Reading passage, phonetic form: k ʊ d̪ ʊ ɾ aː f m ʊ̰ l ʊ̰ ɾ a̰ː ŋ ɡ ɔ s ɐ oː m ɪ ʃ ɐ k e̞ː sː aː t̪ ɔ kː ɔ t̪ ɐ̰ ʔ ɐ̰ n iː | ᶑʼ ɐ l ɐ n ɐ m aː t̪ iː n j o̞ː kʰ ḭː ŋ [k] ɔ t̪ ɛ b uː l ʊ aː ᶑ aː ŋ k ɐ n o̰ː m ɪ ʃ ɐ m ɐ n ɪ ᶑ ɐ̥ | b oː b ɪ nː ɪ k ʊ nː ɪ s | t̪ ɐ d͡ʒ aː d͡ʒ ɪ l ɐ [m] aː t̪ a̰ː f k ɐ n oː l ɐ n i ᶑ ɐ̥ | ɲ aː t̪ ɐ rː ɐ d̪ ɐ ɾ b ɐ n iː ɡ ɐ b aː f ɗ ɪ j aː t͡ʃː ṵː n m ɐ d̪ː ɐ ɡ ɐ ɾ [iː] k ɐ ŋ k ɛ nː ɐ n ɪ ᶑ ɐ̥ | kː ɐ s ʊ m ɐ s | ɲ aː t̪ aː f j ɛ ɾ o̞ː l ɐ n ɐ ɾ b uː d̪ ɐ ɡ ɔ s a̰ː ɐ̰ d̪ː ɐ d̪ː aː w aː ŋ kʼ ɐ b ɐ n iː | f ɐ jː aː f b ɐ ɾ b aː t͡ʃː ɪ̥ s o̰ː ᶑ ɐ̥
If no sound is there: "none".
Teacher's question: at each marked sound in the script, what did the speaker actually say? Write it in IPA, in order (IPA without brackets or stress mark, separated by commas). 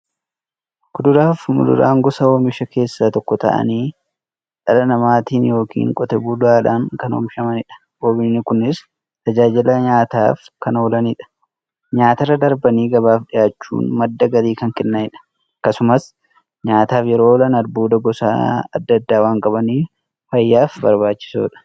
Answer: kʼ, ɲ, iː